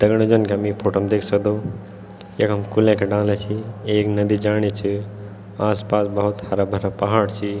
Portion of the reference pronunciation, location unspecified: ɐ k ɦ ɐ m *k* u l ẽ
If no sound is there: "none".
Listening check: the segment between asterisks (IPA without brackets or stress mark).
k